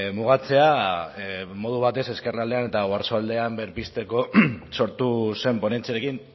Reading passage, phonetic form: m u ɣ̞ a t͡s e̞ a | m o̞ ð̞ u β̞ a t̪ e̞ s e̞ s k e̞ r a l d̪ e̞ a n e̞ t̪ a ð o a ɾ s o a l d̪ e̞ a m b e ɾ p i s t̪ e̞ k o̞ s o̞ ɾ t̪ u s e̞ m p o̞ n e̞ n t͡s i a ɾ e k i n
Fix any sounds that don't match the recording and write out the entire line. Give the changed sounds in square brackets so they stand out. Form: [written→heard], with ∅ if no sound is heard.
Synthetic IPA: m u ɣ̞ a t͡s e̞ a | m o̞ ð̞ u β̞ a t̪ e̞ s e̞ s k e̞ r a l d̪ e̞ a n e̞ t̪ a [ð→ɣ] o a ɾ s o a l d̪ e̞ a m b e ɾ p i s t̪ e̞ k o̞ s o̞ ɾ t̪ u s e̞ m p o̞ n e̞ n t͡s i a ɾ e k i n